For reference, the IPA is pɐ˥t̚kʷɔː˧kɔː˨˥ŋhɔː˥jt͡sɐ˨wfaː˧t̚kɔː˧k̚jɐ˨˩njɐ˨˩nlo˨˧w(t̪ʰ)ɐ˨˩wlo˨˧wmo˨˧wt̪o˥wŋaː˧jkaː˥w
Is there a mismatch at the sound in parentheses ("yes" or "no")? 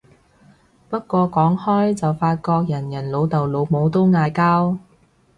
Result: yes